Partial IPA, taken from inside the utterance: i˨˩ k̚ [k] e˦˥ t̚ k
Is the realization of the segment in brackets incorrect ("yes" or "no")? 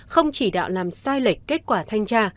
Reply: no